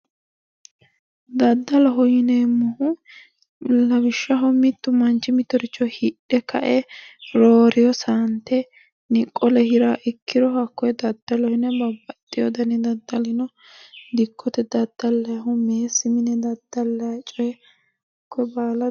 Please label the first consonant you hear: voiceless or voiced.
voiced